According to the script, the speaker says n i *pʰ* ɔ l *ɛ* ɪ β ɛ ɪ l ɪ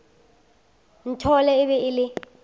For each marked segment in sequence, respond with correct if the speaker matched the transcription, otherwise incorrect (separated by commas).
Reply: incorrect, correct